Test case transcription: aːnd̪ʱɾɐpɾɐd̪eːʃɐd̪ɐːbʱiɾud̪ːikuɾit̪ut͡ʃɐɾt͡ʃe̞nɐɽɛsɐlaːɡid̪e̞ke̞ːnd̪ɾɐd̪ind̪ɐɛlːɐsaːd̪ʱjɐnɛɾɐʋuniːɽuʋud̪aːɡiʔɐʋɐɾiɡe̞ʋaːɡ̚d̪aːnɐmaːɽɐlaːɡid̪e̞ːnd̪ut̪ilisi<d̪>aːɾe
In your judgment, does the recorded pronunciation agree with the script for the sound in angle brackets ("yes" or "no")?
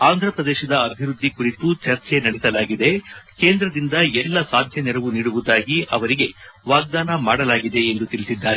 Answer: no